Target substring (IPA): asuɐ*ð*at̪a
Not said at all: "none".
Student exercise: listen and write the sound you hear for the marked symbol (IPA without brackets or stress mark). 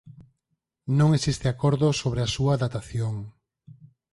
ð